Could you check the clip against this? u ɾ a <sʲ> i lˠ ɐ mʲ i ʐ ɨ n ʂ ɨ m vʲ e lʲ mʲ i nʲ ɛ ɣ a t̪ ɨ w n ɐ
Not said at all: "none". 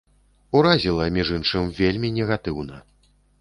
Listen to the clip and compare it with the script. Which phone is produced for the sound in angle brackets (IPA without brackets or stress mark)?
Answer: zʲ